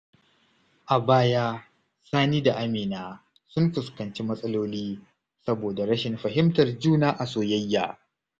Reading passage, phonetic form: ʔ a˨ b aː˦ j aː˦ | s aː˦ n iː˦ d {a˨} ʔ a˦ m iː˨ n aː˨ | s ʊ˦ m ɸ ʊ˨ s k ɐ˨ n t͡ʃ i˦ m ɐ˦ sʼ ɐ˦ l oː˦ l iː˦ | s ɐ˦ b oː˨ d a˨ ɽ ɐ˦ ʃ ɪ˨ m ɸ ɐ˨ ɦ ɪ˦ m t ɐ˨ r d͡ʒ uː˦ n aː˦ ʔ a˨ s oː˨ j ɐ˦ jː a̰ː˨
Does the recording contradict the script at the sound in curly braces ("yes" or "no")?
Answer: no